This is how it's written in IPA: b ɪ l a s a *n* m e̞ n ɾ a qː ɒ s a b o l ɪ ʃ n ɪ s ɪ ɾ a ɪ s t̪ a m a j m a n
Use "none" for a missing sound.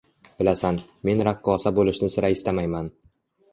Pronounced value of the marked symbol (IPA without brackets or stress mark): n